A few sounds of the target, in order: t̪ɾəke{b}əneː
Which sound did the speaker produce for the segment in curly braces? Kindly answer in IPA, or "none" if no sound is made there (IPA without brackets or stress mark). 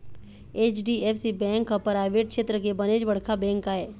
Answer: b